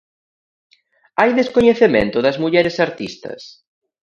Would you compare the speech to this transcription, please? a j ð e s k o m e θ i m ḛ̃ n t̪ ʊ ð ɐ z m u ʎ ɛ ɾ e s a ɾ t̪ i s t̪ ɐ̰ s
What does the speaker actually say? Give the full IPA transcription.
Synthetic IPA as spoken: a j ð e s k o ɲ e θ e m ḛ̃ n t̪ ʊ ð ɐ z m u ʎ ɛ ɾ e s a ɾ t̪ i s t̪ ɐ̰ s